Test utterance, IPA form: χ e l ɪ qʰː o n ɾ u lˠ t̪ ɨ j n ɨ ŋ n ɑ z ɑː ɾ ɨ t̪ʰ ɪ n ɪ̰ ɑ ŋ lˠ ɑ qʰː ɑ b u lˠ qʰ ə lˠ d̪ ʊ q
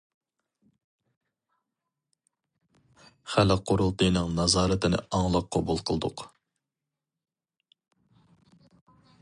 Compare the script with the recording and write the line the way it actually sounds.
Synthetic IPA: χ æ l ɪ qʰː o ɾ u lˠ t̪ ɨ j n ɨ ŋ n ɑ z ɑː ɾ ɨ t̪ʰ ɪ n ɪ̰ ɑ ŋ lˠ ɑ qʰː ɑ b u lˠ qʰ ə lˠ d̪ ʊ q